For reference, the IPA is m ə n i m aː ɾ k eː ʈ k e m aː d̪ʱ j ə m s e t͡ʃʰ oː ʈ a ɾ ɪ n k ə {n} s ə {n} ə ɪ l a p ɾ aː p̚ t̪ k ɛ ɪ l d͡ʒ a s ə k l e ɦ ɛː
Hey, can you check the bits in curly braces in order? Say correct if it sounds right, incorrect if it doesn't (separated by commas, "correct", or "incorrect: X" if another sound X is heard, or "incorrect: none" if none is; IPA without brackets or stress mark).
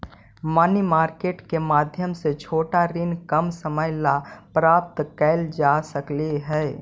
incorrect: m, incorrect: m